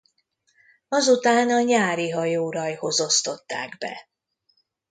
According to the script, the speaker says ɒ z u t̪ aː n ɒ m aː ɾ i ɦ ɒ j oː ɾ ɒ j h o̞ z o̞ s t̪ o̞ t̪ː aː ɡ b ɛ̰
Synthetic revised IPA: ɒ z u t̪ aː n ɒ ɲ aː ɾ i ɦ ɒ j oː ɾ ɒ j h o̞ z o̞ s t̪ o̞ t̪ː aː ɡ b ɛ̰